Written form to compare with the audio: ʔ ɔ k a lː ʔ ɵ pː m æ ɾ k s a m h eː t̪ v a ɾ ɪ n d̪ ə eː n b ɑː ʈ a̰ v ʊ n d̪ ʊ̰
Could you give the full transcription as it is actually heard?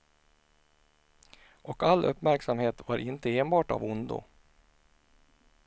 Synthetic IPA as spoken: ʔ ɔ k a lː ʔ ɵ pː m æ ɾ k s a m h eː t̪ v a ɾ ɪ n t̪ ə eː n b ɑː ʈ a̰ v ʊ n d̪ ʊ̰